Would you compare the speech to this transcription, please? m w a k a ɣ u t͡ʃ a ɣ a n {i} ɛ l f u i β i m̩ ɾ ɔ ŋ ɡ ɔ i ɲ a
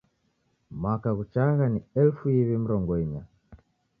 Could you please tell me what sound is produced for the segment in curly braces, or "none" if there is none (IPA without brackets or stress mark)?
i